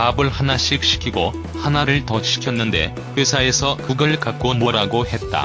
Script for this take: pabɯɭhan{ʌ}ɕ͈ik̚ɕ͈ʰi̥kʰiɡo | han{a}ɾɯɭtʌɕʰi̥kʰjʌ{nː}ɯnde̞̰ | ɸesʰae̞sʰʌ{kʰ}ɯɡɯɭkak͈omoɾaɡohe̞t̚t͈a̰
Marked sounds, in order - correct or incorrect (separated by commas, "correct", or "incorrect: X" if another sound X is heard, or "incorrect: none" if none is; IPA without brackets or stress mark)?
incorrect: a, correct, correct, incorrect: k